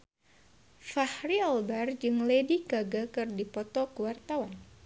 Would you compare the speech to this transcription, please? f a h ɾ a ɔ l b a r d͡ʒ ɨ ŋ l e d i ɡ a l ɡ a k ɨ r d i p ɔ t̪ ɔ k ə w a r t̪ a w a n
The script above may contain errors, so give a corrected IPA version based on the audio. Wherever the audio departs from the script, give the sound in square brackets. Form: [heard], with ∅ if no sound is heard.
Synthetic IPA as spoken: f a h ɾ [i] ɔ l b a r d͡ʒ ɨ ŋ l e d i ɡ a [∅] ɡ a k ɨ r d i p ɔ t̪ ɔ k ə w a r t̪ a w a n